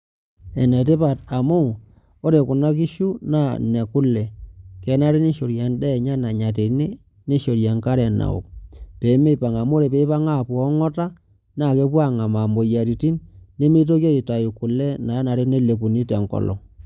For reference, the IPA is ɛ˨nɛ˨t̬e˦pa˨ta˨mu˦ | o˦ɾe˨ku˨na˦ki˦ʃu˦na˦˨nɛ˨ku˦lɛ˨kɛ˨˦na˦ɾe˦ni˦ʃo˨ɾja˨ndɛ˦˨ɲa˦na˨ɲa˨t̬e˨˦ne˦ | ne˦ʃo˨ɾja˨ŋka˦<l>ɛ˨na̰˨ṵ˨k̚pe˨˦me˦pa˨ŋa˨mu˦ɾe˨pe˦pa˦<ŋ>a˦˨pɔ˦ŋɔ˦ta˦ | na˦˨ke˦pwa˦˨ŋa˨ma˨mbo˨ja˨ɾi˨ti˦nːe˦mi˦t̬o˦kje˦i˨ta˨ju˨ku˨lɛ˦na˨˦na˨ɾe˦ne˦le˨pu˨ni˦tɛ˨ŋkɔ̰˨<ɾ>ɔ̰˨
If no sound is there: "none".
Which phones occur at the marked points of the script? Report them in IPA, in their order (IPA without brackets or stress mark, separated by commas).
ɾ, ŋ, l